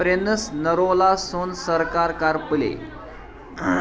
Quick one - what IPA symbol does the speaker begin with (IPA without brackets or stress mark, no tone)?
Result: ɾ